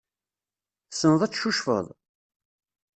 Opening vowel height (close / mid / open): mid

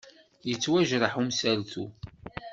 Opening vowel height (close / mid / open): mid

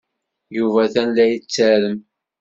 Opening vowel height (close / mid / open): close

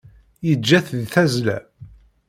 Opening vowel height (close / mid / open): mid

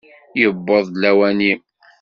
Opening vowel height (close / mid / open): mid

